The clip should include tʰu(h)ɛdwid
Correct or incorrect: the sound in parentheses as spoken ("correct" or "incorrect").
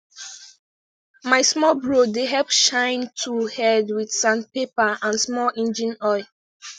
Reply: correct